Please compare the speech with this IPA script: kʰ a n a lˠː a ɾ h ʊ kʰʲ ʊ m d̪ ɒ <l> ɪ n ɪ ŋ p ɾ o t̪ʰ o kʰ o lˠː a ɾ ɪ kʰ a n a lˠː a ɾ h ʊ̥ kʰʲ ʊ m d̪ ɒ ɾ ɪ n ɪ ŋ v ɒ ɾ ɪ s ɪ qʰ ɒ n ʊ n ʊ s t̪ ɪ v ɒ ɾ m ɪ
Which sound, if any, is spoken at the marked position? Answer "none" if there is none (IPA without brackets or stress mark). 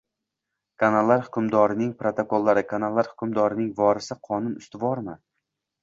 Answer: ɾ